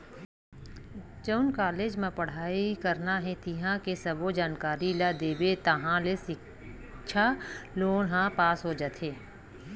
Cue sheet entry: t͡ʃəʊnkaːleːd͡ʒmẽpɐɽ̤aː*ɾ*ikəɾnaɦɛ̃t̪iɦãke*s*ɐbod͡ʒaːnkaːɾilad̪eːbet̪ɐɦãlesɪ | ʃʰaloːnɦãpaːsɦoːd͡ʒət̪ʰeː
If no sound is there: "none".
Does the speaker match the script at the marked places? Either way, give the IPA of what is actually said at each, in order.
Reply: none, s

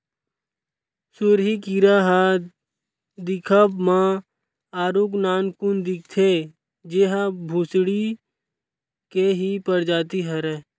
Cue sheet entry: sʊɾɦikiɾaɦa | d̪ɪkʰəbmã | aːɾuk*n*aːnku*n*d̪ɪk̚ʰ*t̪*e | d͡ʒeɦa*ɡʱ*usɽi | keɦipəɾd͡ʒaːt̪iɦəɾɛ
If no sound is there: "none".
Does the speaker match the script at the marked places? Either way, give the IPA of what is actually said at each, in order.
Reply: n, n, t̪ʰ, bʱ

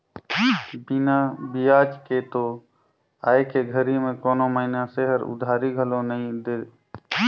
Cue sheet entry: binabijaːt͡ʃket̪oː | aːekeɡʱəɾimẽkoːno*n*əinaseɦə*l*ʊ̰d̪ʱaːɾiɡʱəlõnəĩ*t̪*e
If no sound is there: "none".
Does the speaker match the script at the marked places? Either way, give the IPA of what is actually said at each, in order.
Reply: m, ɾ, d̪

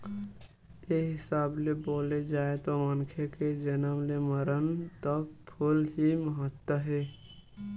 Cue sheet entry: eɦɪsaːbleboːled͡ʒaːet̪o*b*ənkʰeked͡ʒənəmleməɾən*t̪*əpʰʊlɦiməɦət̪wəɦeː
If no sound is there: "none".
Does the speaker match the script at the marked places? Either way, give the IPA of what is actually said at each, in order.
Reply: m, t̪

